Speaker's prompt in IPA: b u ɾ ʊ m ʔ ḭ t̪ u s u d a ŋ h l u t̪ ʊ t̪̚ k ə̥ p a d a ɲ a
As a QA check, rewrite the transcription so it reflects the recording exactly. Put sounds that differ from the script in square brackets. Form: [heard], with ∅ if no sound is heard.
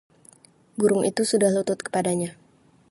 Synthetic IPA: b u ɾ ʊ [ŋ] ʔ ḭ t̪ u s u d a [∅] h l u t̪ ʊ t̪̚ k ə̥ p a d a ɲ a

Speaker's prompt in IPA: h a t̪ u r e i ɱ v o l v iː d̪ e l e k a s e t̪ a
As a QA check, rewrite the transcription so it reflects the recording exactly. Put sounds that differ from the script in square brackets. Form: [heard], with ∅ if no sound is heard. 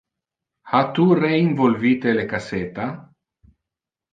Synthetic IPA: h a t̪ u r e i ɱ v o l v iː [t̪] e l e k a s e t̪ a

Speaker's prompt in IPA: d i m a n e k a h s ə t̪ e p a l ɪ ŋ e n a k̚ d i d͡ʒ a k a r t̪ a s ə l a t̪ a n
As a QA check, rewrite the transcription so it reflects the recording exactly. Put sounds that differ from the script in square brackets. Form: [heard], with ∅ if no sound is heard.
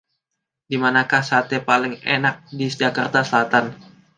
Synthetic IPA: d i m a n [a] k a h s [a] t̪ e p a l ɪ ŋ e n a k̚ d i d͡ʒ a k a r t̪ a s ə l a t̪ a n

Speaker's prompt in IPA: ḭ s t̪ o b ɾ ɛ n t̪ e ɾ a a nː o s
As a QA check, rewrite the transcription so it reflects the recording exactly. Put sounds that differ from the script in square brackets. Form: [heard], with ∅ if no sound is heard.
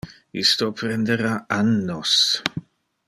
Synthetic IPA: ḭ s t̪ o [p] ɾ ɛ n [d̪] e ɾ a a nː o s

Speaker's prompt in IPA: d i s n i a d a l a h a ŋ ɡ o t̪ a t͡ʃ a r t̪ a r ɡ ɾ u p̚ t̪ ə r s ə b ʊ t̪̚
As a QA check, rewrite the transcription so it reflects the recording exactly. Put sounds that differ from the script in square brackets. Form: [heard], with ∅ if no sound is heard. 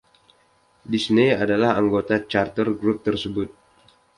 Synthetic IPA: d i s n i a d a l a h a ŋ ɡ o t̪ a t͡ʃ a r t̪ [ə] r ɡ ɾ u p̚ t̪ ə r s ə b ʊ t̪̚

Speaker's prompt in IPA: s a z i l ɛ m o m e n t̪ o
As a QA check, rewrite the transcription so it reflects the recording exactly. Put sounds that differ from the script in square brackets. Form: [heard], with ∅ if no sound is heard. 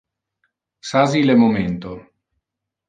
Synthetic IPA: s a z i l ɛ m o m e n t̪ o

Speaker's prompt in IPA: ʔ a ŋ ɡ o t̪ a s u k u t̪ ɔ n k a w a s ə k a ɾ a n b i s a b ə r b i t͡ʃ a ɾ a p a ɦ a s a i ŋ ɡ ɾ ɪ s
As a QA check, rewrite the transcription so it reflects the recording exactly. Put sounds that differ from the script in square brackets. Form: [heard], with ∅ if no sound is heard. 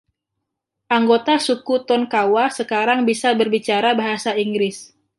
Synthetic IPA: ʔ a ŋ ɡ o t̪ a s u k u t̪ ɔ n k a w a s ə k a ɾ a [ŋ] b i s a b ə r b i t͡ʃ a ɾ a [b] a ɦ a s a i ŋ ɡ ɾ ɪ s

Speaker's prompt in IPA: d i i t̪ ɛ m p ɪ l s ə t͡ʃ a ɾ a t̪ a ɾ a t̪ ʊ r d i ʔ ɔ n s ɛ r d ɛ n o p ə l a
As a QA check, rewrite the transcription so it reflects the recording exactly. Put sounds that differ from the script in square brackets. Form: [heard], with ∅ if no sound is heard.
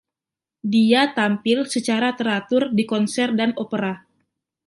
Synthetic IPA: d i [a] t̪ [a] m p ɪ l s ə t͡ʃ a ɾ a t̪ [ə] ɾ a t̪ ʊ r d i [k] ɔ n s ɛ r d [a] n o p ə [ɾ] a

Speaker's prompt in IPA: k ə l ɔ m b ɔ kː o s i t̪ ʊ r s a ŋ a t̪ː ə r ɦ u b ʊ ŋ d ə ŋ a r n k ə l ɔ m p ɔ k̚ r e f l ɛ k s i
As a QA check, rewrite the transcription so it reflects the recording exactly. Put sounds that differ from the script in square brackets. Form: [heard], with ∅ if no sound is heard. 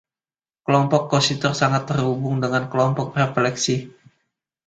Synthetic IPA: k ə l ɔ m [p] ɔ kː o s i t̪ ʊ r s a ŋ a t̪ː ə r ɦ u b ʊ ŋ d ə ŋ a [∅] n k ə l ɔ m p ɔ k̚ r e f l ɛ k s i

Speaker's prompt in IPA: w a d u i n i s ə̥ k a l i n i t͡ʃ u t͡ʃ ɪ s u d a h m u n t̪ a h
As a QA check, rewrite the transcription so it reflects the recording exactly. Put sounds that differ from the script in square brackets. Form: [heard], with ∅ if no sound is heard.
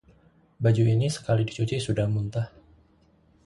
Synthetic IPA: [b] a [d͡ʒ] u i n i s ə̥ k a l i [d] i t͡ʃ u t͡ʃ [i] s u d a h m u n t̪ a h

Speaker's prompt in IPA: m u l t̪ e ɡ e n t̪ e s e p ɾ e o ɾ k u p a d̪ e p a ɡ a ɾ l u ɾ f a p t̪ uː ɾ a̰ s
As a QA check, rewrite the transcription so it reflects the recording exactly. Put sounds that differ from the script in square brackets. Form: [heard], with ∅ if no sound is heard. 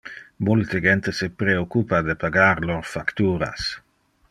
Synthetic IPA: m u l t̪ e ɡ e n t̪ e s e p ɾ e o [∅] k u p a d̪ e p a ɡ a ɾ l [o] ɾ f a [k] t̪ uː ɾ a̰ s

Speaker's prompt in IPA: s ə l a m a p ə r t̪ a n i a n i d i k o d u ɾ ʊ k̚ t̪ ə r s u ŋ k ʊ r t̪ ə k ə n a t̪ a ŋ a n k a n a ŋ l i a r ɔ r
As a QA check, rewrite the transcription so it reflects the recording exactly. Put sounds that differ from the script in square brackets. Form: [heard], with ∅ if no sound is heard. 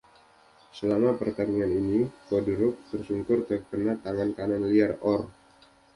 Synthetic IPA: s ə l a m a p ə r t̪ a n i a n i [n] i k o d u ɾ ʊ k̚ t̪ ə r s u ŋ k ʊ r t̪ ə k ə n a t̪ a ŋ a n k a n a [n] l i a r ɔ r

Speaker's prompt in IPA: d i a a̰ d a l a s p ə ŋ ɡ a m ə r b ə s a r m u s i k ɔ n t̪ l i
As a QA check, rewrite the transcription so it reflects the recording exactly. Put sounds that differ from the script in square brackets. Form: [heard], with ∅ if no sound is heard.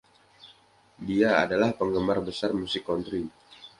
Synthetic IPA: d i a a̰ d a l a [h] p ə ŋ ɡ [ə] m [a] r b ə s a r m u s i k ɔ n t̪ [ɾ] i

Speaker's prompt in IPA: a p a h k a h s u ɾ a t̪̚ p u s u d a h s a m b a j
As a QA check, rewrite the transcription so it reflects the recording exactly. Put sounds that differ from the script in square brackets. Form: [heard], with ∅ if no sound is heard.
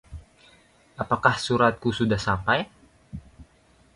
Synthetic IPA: a p a [∅] k a h s u ɾ a t̪̚ [k] u s u d a h s a m [p] a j

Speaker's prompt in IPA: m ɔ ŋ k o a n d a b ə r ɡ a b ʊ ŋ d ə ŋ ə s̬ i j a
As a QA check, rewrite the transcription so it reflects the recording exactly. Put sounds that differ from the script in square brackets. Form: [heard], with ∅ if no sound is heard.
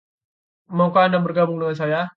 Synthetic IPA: m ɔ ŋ k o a n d a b ə r ɡ a b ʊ ŋ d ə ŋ [a] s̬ [a] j a

